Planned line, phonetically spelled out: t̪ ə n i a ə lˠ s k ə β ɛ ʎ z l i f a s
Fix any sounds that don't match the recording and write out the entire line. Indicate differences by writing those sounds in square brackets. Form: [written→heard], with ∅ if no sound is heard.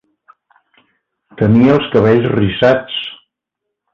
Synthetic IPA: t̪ ə n i [a→ə] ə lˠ s k ə β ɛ ʎ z [l→r] i [f→s] a [s→t͡s]